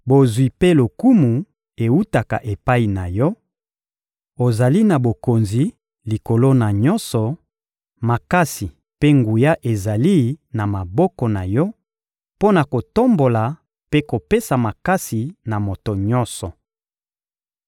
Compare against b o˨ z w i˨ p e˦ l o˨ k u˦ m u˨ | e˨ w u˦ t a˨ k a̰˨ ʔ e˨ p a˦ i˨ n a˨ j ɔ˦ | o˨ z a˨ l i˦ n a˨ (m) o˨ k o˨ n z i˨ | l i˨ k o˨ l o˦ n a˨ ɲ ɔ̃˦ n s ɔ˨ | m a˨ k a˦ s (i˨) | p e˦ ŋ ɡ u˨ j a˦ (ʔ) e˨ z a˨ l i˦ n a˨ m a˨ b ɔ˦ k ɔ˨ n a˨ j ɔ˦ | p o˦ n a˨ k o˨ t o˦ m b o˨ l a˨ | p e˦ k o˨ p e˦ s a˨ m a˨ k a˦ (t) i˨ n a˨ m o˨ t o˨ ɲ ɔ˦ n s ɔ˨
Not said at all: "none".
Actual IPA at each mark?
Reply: b, i˨, ʔ, s

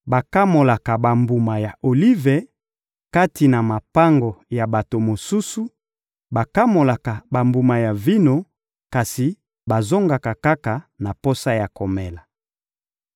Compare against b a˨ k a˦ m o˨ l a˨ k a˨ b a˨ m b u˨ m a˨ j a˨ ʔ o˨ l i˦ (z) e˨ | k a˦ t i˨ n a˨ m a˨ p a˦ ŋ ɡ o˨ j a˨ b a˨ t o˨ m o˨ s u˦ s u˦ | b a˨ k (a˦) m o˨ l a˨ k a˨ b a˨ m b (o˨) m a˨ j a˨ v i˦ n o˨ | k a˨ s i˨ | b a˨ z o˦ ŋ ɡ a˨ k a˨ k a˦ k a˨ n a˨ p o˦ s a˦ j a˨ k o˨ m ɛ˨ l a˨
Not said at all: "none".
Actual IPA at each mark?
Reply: v, a˦, u˨

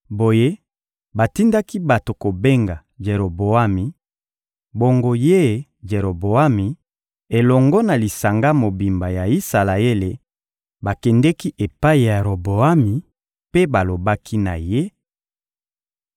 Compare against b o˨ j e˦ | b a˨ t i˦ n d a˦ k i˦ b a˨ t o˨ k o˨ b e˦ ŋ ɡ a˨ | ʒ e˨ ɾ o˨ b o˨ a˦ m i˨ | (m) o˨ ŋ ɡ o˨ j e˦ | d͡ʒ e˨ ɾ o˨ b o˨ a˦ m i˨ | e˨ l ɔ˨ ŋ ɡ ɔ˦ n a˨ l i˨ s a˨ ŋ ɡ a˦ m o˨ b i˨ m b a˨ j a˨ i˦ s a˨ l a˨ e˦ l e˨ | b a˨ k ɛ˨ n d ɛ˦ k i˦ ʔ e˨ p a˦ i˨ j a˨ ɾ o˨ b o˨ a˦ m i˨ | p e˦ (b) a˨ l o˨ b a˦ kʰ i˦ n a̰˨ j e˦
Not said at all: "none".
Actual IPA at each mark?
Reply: b, b

